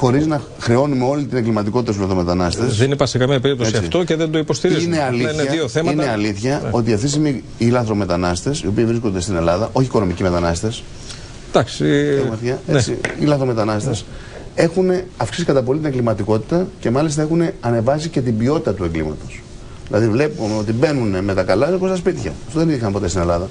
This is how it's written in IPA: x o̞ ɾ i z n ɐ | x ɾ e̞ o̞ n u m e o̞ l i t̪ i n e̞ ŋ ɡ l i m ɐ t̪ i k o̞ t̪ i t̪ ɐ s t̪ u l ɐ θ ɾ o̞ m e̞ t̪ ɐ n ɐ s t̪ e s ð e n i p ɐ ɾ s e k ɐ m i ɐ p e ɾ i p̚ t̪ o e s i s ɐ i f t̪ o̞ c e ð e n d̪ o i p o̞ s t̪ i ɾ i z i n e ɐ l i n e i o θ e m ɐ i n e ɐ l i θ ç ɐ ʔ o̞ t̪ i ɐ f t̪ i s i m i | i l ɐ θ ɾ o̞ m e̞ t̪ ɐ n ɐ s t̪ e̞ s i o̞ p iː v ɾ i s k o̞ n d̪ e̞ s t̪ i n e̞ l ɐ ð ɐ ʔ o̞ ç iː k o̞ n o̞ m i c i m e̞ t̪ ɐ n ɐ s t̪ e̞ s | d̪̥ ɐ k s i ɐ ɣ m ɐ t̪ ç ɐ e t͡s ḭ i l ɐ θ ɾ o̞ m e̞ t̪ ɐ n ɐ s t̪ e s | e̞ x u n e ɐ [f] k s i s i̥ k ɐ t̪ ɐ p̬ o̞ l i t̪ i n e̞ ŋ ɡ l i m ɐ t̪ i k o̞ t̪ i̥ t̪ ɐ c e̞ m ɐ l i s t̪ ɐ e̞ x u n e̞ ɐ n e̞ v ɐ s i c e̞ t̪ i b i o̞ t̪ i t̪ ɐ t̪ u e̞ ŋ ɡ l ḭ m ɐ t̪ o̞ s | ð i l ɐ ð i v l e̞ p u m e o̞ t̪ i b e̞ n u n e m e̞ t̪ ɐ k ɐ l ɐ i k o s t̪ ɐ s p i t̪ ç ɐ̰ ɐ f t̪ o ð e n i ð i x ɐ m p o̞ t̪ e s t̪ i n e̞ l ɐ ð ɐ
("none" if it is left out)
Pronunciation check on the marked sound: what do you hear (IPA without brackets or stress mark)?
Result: f